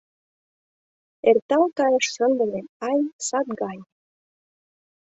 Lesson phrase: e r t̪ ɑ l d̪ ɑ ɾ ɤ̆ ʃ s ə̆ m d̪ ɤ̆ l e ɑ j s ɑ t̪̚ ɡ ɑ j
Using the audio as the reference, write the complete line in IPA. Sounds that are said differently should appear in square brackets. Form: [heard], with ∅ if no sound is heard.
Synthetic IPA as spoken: e r t̪ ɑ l [t̪] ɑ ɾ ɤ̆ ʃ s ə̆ [n] d̪ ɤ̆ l e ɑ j s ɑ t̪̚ ɡ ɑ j